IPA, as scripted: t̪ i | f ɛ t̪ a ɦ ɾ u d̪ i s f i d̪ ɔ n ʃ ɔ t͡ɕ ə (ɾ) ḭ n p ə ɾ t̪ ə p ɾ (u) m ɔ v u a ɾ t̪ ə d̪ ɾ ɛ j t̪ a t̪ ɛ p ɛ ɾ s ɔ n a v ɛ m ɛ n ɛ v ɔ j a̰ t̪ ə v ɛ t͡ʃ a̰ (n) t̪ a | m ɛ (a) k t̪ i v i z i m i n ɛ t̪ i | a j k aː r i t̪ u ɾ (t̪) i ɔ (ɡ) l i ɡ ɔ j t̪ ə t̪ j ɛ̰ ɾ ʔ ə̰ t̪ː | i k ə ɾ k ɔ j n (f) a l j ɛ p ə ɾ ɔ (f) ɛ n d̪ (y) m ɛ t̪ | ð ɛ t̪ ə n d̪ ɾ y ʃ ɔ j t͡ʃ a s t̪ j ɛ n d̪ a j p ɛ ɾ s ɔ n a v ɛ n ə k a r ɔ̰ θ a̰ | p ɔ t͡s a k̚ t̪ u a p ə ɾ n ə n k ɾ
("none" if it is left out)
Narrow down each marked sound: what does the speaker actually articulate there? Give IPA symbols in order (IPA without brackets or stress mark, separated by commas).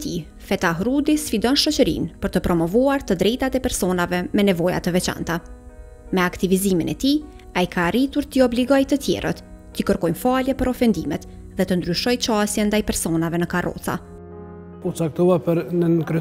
ɾ, ɔ, n, a, t̪, b, f, f, i